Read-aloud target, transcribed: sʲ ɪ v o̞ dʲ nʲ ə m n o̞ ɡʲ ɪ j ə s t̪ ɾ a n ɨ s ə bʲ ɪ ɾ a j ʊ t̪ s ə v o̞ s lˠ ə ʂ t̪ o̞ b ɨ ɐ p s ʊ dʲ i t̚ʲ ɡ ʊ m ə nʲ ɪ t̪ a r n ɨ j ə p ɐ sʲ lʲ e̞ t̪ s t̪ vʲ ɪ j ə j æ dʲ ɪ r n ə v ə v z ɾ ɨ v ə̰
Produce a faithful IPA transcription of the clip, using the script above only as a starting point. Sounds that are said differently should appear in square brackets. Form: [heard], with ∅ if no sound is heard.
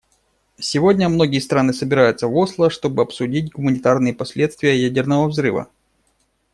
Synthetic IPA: sʲ ɪ v o̞ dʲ nʲ ə m n o̞ ɡʲ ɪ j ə s t̪ ɾ a n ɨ s ə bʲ ɪ ɾ a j ʊ t̪ s ə v o̞ s lˠ ə ʂ t̪ o̞ b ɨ ɐ p s ʊ dʲ i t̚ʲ ɡ ʊ m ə nʲ ɪ t̪ a r n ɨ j ə p ɐ sʲ lʲ e̞ t̪ s t̪ vʲ ɪ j ə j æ dʲ ɪ r n ə v ə v z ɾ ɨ v ə̰

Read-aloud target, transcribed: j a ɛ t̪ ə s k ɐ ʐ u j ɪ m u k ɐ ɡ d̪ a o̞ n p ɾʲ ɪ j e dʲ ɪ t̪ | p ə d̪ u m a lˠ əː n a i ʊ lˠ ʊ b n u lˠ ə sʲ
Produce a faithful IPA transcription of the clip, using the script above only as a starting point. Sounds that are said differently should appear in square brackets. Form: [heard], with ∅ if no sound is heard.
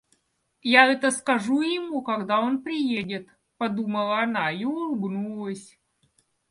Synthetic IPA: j a ɛ t̪ ə s k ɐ ʐ u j ɪ m u k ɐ ɡ d̪ a o̞ n p ɾʲ ɪ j e dʲ ɪ t̪ | p [ɐ] d̪ u m [ə] lˠ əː n a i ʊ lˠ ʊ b n u lˠ ə sʲ

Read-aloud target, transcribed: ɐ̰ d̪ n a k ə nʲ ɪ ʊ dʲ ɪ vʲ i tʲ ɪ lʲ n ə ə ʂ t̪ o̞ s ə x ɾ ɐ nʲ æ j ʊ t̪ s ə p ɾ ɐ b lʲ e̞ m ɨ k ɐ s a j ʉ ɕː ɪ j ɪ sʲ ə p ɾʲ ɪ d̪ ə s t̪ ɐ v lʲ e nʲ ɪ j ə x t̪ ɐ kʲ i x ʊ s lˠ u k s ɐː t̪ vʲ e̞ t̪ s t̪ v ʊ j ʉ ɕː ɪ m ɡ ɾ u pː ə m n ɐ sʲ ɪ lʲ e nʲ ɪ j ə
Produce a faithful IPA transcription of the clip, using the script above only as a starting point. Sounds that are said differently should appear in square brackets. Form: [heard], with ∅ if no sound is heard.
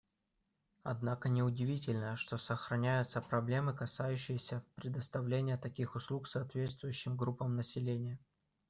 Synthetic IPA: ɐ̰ d̪ n a k ə nʲ ɪ ʊ dʲ ɪ vʲ i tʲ ɪ lʲ n ə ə ʂ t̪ o̞ s ə x ɾ ɐ nʲ æ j ʊ t̪ s ə p ɾ ɐ b lʲ e̞ m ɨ k ɐ s a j ʉ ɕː ɪ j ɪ sʲ ə p ɾʲ ɪ d̪ ə s t̪ ɐ v lʲ e nʲ ɪ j ə [∅] t̪ ɐ kʲ i x ʊ s lˠ u k s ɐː t̪ vʲ e̞ t̪ s t̪ v ʊ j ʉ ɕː ɪ m ɡ ɾ u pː ə m n [ə] sʲ ɪ lʲ e nʲ ɪ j ə

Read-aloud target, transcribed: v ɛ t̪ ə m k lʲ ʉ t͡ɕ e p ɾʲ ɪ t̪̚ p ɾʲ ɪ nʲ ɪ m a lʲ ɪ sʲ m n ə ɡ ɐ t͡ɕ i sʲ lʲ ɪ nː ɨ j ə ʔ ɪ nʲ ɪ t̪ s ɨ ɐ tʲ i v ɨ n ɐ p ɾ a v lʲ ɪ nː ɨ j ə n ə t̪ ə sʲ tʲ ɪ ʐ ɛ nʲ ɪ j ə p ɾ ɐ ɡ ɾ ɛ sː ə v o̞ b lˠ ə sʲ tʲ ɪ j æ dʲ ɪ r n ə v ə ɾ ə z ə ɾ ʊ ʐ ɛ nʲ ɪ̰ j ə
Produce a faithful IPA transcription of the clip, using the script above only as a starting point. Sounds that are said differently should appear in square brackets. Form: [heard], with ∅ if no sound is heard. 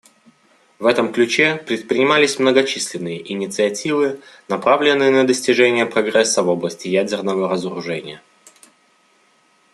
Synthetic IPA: v ɛ t̪ ə m k lʲ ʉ t͡ɕ e p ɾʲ ɪ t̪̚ p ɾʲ ɪ nʲ ɪ m a lʲ ɪ sʲ m n ə ɡ ɐ t͡ɕ i sʲ lʲ ɪ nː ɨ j ə ʔ ɪ nʲ ɪ t̪ s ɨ ɐ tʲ i v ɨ n ɐ p ɾ a v lʲ ɪ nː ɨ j ə n ə [d̪] ə sʲ tʲ ɪ ʐ ɛ nʲ ɪ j ə p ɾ ɐ ɡ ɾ ɛ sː ə v o̞ b lˠ ə sʲ tʲ ɪ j æ dʲ ɪ r n ə v ə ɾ ə z ə ɾ ʊ ʐ ɛ nʲ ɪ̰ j ə

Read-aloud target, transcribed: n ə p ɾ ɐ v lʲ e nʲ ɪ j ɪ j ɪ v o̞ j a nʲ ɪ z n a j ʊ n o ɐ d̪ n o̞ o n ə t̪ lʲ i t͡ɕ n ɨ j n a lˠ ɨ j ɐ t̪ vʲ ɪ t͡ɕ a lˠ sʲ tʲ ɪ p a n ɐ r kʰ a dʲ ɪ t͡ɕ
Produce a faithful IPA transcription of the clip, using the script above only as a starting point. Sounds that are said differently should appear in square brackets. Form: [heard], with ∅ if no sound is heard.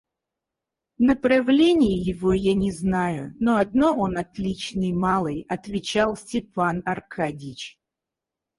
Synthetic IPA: n ə p ɾ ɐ v lʲ e nʲ ɪ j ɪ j ɪ v o̞ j a nʲ ɪ z n a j ʊ n o ɐ d̪ n o̞ o n [ɐ] t̪ lʲ i t͡ɕ n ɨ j [m] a lˠ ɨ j ɐ t̪ vʲ ɪ t͡ɕ a lˠ sʲ tʲ ɪ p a n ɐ r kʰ a dʲ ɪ t͡ɕ

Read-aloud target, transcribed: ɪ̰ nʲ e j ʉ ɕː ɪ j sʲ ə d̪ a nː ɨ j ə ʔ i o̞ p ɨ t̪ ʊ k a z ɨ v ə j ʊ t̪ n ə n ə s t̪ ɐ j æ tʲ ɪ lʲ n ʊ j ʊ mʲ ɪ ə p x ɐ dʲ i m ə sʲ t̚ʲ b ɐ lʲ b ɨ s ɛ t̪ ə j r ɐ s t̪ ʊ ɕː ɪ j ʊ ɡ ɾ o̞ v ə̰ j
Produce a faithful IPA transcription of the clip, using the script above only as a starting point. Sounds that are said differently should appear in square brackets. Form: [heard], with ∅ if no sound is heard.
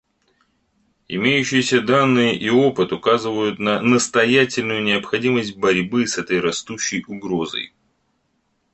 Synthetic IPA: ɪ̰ [mʲ] e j ʉ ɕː ɪ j sʲ ə d̪ a nː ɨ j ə ʔ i o̞ p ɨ t̪ ʊ k a z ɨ v ə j ʊ t̪ n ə n ə s t̪ ɐ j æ tʲ ɪ lʲ n ʊ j ʊ [nʲ] ɪ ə p x ɐ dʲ i m ə sʲ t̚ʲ b ɐ [ɾʲ] b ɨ s ɛ t̪ ə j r ɐ s t̪ [u] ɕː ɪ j ʊ ɡ ɾ o̞ [z] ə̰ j

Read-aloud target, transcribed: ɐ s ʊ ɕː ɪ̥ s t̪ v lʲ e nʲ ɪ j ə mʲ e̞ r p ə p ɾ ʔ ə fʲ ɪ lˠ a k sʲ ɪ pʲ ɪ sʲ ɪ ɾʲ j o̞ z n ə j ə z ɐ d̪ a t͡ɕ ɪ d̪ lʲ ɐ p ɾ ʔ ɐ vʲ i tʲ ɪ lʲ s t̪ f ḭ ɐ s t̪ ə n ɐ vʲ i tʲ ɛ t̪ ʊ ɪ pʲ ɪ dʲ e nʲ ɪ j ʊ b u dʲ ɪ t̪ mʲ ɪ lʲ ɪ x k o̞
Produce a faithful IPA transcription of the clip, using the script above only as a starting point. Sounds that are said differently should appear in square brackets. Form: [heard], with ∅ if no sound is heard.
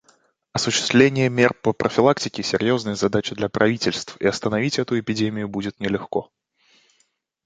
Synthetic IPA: ɐ s ʊ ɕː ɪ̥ s t̪ v lʲ e nʲ ɪ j ə mʲ e̞ r p ə p ɾ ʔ ə fʲ ɪ lˠ a k [tʲ] ɪ [kʲ] ɪ sʲ ɪ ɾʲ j o̞ z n ə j ə z ɐ d̪ a t͡ɕ ɪ d̪ lʲ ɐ p ɾ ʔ ɐ vʲ i tʲ ɪ lʲ s t̪ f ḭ ɐ s t̪ ə n ɐ vʲ i tʲ ɛ t̪ ʊ ɪ pʲ ɪ dʲ e [mʲ] ɪ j ʊ b u dʲ ɪ t̪ [nʲ] ɪ lʲ ɪ x k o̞

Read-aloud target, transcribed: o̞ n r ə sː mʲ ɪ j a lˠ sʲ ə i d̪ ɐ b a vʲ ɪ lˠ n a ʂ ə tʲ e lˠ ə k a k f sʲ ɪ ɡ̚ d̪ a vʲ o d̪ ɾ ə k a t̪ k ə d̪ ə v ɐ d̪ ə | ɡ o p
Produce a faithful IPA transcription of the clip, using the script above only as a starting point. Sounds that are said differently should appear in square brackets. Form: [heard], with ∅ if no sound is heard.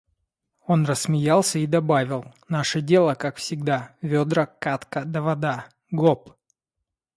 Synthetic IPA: o̞ n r ə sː mʲ ɪ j a lˠ sʲ ə i d̪ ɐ b a vʲ ɪ lˠ n a ʂ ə [dʲ] e lˠ ə k a k f sʲ ɪ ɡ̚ d̪ a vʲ o d̪ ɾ ə k a t̪ k ə d̪ ə v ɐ d̪ [a] | ɡ o p

